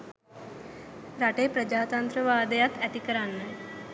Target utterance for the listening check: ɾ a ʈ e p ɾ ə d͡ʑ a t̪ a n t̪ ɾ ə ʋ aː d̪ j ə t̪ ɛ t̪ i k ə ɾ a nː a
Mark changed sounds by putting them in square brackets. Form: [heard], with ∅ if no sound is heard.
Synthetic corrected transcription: ɾ a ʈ e p ɾ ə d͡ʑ a t̪ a n t̪ ɾ ə ʋ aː d̪ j [a] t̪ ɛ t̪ i k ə ɾ a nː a